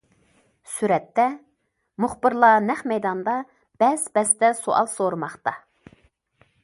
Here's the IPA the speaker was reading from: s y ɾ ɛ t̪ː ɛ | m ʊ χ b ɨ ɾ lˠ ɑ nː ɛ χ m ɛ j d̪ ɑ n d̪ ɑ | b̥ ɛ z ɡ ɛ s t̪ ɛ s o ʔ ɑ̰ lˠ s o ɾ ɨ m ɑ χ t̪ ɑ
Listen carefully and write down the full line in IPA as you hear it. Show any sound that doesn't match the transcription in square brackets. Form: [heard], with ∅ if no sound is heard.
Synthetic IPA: s y ɾ ɛ t̪ː ɛ | m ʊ χ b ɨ ɾ lˠ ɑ [n] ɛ χ m ɛ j d̪ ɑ n d̪ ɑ | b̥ ɛ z [b] ɛ s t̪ ɛ s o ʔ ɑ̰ lˠ s o ɾ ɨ m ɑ χ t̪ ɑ

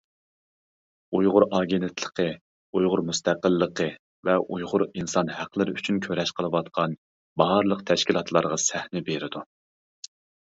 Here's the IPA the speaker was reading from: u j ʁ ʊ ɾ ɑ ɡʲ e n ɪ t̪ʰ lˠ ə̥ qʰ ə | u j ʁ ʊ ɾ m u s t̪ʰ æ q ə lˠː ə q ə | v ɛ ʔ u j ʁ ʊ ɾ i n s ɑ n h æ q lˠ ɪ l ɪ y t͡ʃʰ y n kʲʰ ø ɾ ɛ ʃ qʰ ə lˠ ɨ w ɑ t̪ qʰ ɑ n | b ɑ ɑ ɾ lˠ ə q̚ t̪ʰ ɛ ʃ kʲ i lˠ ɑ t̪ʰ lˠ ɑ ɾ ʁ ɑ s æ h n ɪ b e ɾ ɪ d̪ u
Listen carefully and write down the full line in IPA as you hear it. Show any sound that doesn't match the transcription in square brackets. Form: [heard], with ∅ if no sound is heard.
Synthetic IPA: u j ʁ ʊ ɾ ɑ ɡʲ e n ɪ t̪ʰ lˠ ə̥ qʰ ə | u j ʁ ʊ ɾ m u s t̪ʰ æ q ə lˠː ə q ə | v ɛ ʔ u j ʁ ʊ ɾ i n s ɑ n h æ q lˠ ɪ [ɾ] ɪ y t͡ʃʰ y n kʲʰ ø ɾ ɛ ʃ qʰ ə lˠ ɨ w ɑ t̪ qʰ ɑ n | b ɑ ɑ ɾ lˠ ə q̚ t̪ʰ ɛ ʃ kʲ i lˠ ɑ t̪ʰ lˠ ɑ ɾ ʁ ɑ s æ h n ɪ b e ɾ ɪ d̪ u

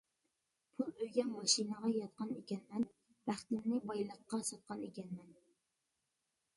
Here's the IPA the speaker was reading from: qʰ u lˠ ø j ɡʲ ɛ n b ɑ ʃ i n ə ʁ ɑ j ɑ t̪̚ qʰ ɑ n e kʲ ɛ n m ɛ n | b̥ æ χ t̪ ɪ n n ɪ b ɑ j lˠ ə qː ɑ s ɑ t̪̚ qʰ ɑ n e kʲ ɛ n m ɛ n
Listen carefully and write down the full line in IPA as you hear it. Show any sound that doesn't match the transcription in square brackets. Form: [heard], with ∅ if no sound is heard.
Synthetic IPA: [pʰ] u lˠ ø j ɡʲ ɛ n [m] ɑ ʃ i n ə ʁ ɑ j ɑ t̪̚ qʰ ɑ n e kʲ ɛ n m ɛ n | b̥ æ χ t̪ ɪ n n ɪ b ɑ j lˠ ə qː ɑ s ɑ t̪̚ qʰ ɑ n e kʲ ɛ n m ɛ n

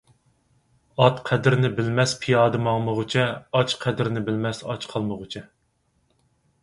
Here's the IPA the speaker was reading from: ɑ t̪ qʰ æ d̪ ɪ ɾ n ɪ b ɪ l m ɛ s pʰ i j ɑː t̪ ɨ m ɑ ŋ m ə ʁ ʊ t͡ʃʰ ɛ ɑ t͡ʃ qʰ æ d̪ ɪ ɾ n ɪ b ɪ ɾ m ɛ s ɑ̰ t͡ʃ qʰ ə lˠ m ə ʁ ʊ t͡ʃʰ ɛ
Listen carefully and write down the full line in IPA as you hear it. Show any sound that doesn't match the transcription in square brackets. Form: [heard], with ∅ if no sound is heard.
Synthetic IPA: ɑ t̪ qʰ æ d̪ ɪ ɾ n ɪ b ɪ l m ɛ s pʰ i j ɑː [d̪] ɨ m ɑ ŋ m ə ʁ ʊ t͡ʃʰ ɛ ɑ t͡ʃ qʰ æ d̪ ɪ ɾ n ɪ b ɪ [l] m ɛ s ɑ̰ t͡ʃ qʰ [ɑ] lˠ m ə ʁ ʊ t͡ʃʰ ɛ

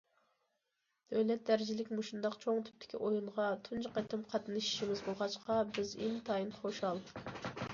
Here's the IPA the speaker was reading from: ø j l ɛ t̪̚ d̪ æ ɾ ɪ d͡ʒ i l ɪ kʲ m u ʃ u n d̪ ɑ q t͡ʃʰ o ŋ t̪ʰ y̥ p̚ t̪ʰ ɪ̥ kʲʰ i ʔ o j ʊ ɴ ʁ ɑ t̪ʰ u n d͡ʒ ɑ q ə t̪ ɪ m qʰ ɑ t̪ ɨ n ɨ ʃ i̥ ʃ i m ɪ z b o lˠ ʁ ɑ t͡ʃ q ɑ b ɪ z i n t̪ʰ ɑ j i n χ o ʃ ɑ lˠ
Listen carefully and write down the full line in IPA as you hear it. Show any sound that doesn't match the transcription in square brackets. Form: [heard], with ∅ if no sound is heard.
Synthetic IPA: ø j l ɛ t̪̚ d̪ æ ɾ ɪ d͡ʒ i l ɪ kʲ m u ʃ u n d̪ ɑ q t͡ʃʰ o ŋ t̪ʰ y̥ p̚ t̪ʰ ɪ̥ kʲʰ i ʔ o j [u] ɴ ʁ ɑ t̪ʰ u n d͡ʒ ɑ q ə t̪ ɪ m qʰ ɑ t̪ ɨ n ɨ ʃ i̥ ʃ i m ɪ z b o lˠ ʁ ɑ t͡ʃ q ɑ b ɪ z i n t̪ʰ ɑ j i n χ o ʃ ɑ lˠ

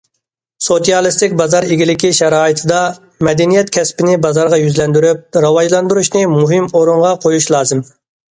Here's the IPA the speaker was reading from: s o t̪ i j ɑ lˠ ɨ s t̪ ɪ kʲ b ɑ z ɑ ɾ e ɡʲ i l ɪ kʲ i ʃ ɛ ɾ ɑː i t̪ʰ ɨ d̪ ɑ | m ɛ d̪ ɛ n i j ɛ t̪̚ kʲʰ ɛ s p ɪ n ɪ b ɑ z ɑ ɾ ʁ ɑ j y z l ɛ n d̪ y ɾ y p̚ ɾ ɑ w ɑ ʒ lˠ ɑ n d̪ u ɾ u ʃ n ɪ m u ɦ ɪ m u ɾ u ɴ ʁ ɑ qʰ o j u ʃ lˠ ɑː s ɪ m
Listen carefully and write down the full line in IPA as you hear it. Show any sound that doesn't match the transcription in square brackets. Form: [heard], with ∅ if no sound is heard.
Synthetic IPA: s o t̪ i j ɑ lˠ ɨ s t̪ ɪ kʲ b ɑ z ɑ ɾ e ɡʲ i l ɪ kʲ i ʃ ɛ ɾ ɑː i t̪ʰ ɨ d̪ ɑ | m ɛ d̪ ɛ n i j ɛ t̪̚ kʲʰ ɛ s p ɪ n ɪ b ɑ z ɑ ɾ ʁ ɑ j y z l ɛ n d̪ y ɾ y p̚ ɾ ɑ w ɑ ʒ lˠ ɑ n d̪ u ɾ u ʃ n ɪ m u ɦ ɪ m [o] ɾ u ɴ ʁ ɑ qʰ o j u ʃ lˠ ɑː [z] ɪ m

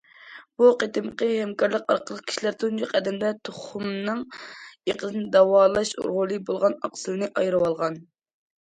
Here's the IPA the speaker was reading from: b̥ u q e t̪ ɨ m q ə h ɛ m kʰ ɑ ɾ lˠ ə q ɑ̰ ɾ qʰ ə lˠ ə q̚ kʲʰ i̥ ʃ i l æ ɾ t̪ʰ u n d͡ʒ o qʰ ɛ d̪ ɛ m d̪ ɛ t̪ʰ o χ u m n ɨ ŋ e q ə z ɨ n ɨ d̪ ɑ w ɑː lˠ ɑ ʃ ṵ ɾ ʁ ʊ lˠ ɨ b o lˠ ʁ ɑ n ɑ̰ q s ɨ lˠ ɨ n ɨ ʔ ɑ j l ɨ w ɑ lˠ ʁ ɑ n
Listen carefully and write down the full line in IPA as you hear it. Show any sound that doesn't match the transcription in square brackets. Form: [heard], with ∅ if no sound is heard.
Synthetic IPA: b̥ u q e t̪ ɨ m q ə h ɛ m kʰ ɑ ɾ lˠ ə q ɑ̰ ɾ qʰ ə lˠ ə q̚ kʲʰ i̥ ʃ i l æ ɾ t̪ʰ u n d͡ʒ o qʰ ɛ d̪ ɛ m d̪ ɛ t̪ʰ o χ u m n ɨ ŋ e q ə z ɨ n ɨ d̪ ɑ w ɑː lˠ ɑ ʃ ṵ ɾ ʁ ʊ lˠ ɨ b o lˠ ʁ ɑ n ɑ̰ q s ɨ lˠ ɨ n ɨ ʔ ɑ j [ɾ] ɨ w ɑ lˠ ʁ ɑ n

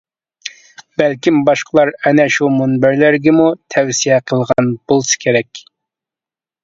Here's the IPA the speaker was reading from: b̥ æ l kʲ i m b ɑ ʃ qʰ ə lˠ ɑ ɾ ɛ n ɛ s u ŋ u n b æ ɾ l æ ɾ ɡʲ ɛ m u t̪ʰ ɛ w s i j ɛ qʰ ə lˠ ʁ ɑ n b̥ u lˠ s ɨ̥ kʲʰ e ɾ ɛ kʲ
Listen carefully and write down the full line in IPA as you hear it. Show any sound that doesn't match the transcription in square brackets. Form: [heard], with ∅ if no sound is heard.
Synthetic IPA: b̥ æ l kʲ i m b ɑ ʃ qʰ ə lˠ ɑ ɾ ɛ n ɛ [ʃ] u [m] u n b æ ɾ l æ ɾ ɡʲ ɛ m u t̪ʰ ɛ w s i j ɛ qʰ ə lˠ ʁ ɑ n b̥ [o] lˠ s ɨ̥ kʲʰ e ɾ ɛ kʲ

